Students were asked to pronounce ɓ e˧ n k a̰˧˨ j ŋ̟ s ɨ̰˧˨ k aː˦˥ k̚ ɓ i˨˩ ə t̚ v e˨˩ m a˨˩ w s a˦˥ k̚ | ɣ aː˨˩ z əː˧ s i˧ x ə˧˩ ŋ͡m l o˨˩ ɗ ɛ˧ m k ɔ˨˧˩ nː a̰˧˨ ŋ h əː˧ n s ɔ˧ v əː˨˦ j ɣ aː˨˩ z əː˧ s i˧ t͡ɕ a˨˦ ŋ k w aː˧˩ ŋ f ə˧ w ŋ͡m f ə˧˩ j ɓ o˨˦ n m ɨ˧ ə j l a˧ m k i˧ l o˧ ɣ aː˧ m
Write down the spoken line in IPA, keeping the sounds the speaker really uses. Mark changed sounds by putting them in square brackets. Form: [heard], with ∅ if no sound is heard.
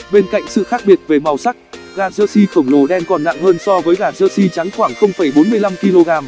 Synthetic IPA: ɓ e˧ n k a̰˧˨ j ŋ̟ s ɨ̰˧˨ [x] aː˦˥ k̚ ɓ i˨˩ ə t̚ v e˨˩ m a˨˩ w s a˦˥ k̚ | ɣ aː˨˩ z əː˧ s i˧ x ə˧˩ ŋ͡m l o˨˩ ɗ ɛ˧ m k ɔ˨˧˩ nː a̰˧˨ ŋ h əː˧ n s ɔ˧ v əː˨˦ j ɣ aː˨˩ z əː˧ s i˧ t͡ɕ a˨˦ ŋ [x] w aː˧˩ ŋ [x] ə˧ w ŋ͡m f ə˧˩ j ɓ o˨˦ n m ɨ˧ ə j l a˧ m k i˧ l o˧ ɣ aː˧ m

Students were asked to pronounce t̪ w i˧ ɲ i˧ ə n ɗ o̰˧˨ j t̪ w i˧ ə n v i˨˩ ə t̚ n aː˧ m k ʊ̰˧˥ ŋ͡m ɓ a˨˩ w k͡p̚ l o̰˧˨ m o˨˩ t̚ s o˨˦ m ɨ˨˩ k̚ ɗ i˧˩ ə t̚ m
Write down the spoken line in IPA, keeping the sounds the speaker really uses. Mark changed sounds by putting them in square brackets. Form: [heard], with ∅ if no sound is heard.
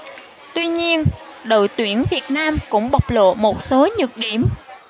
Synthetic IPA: t̪ w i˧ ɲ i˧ ə n ɗ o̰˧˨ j t̪ w [i˧˩] ə n v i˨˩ ə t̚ n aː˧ m k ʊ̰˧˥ ŋ͡m ɓ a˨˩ w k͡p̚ l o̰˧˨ m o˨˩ t̚ s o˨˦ [ɲ] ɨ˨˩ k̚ ɗ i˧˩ ə [∅] m

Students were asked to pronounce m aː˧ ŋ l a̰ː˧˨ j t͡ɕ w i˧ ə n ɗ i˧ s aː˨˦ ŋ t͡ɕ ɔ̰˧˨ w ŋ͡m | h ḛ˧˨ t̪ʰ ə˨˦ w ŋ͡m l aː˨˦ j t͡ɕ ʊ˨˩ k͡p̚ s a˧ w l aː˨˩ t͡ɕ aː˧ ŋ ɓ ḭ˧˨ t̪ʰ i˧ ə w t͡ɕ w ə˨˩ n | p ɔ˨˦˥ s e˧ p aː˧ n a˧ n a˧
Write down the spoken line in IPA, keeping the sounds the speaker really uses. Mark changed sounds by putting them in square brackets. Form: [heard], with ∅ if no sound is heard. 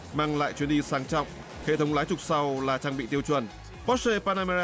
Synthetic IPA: m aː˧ ŋ l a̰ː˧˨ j t͡ɕ w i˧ ə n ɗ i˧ s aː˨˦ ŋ t͡ɕ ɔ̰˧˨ w ŋ͡m | h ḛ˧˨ t̪ʰ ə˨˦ w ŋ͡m l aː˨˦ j t͡ɕ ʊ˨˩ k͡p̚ s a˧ w l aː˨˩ t͡ɕ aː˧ ŋ ɓ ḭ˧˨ [t̪] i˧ ə w t͡ɕ w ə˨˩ n | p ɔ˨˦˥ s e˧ p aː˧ n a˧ [m] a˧

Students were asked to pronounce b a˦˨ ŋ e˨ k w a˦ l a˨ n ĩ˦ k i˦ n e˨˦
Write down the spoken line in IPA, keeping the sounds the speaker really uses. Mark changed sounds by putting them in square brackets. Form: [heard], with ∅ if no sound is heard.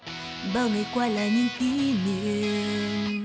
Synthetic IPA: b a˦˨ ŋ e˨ k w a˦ l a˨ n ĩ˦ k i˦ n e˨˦

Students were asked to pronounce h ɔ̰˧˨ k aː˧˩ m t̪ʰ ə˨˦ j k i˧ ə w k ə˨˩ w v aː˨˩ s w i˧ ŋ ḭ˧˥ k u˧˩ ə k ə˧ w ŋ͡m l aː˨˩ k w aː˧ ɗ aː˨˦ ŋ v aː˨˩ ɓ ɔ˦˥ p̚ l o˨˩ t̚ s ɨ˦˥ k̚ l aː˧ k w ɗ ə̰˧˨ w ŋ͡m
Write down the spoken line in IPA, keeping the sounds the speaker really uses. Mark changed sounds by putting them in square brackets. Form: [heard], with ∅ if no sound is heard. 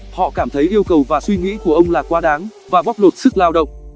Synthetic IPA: h ɔ̰˧˨ k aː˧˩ m t̪ʰ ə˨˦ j [ʔ] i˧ ə w k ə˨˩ w v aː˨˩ s w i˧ ŋ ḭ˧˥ k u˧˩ ə [ʔ] ə˧ w ŋ͡m l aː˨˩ k w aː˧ ɗ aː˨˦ ŋ v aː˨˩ ɓ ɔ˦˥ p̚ l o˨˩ t̚ s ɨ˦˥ k̚ l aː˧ [∅] w ɗ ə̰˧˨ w ŋ͡m

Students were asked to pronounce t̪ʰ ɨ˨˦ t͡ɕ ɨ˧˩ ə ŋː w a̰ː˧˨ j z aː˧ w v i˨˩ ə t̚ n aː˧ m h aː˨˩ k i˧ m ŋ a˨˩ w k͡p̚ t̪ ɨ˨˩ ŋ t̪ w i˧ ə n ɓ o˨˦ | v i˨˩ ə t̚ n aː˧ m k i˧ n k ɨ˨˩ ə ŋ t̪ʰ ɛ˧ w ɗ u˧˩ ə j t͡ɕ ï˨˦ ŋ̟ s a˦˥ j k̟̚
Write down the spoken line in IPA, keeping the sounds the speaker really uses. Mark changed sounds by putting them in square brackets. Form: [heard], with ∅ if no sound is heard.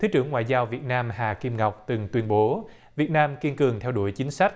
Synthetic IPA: t̪ʰ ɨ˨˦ t͡ɕ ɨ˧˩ ə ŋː w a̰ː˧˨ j z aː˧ w v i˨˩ ə t̚ n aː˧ m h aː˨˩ k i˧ m ŋ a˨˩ w k͡p̚ t̪ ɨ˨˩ ŋ t̪ w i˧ ə n ɓ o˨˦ | v i˨˩ ə t̚ n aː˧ m k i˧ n k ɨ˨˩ ə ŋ t̪ʰ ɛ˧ w ɗ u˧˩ ə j t͡ɕ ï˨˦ ŋ̟ s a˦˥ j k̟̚

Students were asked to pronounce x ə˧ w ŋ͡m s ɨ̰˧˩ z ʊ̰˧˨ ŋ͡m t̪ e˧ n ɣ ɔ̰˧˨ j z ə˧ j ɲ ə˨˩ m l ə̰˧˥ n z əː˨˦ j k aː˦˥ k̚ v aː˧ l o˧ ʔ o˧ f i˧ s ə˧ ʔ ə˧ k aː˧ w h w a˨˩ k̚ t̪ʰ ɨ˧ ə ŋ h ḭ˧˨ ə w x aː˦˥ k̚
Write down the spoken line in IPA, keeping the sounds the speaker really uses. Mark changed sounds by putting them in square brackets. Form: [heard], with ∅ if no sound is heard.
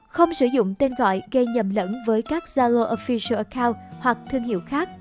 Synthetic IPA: x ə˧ w ŋ͡m s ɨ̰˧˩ z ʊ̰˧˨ ŋ͡m t̪ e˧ n ɣ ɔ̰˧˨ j [ɣ] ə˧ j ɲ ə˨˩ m l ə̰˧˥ n [v] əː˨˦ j k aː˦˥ k̚ [z] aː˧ l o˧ ʔ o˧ f i˧ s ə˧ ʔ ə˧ k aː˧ w h w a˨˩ k̚ t̪ʰ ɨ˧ ə ŋ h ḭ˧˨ ə w x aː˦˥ k̚

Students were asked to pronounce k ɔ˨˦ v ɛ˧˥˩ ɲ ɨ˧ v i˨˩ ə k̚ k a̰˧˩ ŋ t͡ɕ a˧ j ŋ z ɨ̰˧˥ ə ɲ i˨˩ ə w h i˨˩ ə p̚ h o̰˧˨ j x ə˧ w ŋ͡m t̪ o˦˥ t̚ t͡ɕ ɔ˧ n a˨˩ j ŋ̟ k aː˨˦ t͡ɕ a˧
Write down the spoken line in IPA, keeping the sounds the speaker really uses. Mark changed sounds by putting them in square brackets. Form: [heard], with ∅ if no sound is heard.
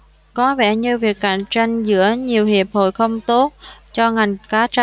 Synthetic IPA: k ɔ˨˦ v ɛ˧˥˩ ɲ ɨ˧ v i˨˩ ə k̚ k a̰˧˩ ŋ t͡ɕ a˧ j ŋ z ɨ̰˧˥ ə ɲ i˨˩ ə w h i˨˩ ə p̚ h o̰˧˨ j x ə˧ w ŋ͡m t̪ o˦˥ t̚ t͡ɕ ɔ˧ [ŋ] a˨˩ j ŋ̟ k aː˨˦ t͡ɕ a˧

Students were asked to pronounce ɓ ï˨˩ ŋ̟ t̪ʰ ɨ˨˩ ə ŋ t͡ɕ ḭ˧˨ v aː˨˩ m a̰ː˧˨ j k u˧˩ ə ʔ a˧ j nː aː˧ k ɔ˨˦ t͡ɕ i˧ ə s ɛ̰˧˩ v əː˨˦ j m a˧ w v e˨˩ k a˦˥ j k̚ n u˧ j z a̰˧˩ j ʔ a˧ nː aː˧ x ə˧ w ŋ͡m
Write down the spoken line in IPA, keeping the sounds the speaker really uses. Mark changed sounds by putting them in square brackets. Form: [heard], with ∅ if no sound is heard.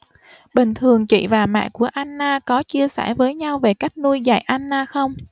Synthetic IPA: ɓ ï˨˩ ŋ̟ t̪ʰ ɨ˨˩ ə ŋ t͡ɕ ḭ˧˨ v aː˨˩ m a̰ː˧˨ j k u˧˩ ə ʔ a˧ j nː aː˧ k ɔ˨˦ t͡ɕ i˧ ə s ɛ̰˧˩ v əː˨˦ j [ɲ] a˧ w v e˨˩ k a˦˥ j k̚ n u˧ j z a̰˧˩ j ʔ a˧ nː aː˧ x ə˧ w ŋ͡m

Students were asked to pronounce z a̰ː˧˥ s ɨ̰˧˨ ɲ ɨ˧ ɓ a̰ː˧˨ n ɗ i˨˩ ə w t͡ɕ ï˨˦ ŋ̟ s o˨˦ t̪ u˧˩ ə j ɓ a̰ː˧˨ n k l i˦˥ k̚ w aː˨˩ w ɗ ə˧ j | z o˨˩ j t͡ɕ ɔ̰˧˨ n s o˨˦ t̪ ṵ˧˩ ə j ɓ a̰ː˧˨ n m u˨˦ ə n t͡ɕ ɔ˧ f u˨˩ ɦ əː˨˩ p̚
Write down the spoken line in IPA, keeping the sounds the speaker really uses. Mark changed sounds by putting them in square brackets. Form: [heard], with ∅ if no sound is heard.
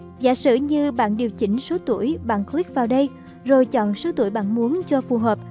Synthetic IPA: z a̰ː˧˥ s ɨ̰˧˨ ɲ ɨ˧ ɓ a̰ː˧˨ n ɗ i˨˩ ə w t͡ɕ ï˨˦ ŋ̟ s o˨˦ t̪ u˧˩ ə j ɓ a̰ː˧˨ n k l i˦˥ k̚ [v] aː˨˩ w ɗ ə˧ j | z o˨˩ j t͡ɕ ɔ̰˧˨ n s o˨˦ t̪ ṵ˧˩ ə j ɓ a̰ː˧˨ n m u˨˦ ə n t͡ɕ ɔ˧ f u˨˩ ɦ əː˨˩ p̚

